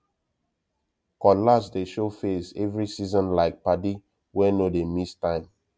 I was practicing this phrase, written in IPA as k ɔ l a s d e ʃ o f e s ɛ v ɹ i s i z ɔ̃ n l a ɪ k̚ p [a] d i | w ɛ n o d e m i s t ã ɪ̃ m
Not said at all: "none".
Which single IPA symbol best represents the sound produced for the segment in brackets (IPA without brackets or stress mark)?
a